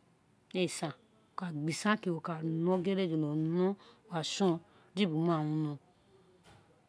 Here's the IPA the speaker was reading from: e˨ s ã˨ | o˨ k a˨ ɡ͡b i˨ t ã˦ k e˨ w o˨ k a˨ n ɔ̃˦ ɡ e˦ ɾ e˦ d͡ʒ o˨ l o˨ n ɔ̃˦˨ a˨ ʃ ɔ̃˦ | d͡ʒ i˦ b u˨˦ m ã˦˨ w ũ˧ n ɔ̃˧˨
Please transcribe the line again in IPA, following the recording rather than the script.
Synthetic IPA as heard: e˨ s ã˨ | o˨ k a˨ ɡ͡b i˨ s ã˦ k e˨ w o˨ k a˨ n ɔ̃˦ ɡ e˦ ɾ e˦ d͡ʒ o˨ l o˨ n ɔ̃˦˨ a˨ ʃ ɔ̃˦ | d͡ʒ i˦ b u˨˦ m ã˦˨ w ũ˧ n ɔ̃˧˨